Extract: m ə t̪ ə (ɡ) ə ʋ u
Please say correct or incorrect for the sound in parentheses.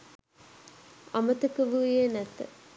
incorrect